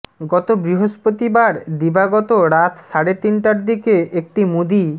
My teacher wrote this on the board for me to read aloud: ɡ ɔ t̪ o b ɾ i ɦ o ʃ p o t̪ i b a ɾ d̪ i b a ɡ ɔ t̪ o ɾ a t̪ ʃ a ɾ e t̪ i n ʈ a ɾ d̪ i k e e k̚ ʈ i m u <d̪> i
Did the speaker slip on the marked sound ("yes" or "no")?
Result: no